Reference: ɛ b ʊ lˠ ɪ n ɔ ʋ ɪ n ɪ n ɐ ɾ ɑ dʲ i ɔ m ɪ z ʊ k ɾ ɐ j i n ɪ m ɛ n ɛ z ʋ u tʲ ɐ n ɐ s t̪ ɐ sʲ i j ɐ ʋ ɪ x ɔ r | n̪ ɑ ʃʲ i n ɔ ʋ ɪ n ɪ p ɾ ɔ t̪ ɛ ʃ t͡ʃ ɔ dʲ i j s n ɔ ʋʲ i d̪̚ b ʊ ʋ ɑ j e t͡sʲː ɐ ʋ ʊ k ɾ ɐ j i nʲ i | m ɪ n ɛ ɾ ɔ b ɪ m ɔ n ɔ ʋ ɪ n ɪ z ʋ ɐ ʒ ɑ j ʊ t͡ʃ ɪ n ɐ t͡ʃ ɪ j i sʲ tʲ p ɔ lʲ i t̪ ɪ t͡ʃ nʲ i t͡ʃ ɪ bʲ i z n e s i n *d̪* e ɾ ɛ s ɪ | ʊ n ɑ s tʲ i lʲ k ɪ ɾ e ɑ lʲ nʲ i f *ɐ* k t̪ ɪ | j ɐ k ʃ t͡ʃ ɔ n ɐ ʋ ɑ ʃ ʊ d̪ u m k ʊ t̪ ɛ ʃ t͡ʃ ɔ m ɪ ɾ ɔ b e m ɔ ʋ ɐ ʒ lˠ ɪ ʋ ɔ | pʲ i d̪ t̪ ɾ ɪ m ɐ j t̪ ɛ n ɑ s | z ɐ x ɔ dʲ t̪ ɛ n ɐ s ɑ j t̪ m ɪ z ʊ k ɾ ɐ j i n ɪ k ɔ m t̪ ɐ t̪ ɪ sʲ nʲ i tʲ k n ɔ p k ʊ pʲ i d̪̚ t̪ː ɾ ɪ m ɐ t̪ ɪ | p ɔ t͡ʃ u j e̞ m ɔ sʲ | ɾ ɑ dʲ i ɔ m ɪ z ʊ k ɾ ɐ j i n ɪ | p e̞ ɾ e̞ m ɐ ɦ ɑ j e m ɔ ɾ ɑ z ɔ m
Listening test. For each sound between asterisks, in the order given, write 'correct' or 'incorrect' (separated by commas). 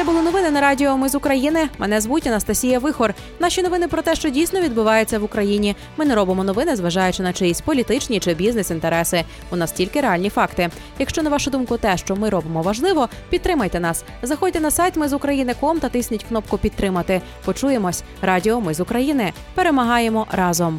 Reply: incorrect, incorrect